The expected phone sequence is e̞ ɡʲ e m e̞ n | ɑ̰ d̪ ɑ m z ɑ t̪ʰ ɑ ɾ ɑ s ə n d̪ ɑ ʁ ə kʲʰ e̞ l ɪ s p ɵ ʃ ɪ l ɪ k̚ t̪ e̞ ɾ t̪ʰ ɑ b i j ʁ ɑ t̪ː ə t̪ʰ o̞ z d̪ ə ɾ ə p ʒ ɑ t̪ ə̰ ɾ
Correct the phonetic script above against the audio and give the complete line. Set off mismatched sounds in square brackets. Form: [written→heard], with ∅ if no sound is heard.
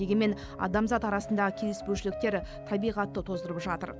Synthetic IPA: e̞ ɡʲ e m e̞ n | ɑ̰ d̪ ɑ m z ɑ [t̪ʰ→t̪] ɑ ɾ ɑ s ə n d̪ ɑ ʁ ə kʲʰ e̞ l ɪ s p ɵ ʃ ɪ l ɪ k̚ t̪ e̞ ɾ t̪ʰ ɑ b i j ʁ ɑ t̪ː ə t̪ʰ o̞ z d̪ ə ɾ ə p ʒ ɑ t̪ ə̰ ɾ